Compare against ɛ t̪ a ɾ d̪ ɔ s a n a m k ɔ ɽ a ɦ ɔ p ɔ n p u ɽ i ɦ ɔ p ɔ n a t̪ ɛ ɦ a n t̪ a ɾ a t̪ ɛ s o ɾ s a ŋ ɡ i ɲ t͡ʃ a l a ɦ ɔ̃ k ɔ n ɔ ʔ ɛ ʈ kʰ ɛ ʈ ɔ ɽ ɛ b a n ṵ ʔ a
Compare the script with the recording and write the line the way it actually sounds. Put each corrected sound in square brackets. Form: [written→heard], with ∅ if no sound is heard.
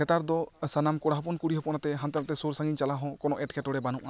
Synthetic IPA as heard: ɛ t̪ a ɾ d̪ ɔ s a n a m k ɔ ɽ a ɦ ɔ p ɔ n [p→k] u ɽ i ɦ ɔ p ɔ n a t̪ ɛ ɦ a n t̪ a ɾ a t̪ ɛ s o ɾ s a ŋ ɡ i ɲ t͡ʃ a l a ɦ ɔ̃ k ɔ n ɔ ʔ ɛ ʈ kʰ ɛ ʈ ɔ ɽ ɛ b a n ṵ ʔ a